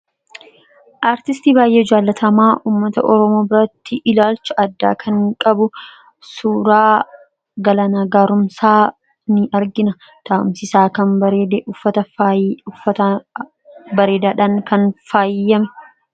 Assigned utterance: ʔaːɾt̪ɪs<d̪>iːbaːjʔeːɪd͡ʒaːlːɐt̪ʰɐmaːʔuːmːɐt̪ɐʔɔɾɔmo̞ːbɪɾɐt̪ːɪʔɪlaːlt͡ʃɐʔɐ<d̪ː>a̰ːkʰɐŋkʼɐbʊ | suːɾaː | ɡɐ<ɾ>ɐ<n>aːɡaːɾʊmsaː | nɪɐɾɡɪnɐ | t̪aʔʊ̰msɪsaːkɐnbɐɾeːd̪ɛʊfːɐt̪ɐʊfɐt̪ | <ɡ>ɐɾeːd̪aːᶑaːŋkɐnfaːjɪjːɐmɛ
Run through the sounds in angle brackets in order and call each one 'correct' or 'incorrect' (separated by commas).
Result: incorrect, correct, incorrect, correct, incorrect